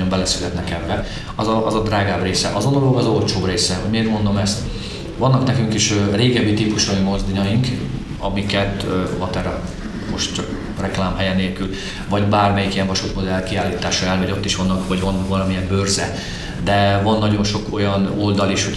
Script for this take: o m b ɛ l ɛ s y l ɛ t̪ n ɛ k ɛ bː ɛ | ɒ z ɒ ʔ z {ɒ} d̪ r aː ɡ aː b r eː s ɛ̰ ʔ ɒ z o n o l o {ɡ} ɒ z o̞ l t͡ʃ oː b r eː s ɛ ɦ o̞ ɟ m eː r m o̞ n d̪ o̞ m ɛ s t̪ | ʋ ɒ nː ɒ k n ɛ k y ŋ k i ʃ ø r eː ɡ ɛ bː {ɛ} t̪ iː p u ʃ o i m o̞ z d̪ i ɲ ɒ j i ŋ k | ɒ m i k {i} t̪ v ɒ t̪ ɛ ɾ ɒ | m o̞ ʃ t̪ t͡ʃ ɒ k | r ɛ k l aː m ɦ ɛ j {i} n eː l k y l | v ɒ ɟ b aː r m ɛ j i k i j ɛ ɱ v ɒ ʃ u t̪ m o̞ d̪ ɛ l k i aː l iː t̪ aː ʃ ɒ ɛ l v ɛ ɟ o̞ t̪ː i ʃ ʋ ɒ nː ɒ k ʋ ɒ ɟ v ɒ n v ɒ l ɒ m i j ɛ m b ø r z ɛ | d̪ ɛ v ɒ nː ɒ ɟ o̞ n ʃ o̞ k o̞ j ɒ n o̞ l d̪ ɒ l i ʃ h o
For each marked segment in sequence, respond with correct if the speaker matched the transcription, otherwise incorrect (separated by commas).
correct, correct, incorrect, incorrect, incorrect